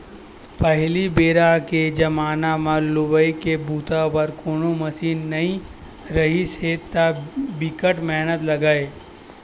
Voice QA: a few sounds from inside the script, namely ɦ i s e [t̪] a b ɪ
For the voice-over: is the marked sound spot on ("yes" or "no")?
yes